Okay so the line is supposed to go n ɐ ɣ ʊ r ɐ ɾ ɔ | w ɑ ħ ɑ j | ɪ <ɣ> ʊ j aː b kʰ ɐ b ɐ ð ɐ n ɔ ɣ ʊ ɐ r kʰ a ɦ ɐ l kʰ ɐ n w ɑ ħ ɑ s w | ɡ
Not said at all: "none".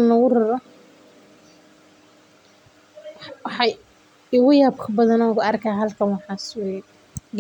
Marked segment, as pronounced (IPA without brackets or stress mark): ɣ